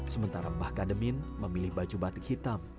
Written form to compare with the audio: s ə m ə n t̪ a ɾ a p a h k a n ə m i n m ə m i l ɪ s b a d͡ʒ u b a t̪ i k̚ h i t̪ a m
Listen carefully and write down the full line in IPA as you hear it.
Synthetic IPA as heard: s ə m ə n t̪ a ɾ a b a h k a d ə m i n m ə m i l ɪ h b a d͡ʒ u b a t̪ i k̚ h i t̪ a m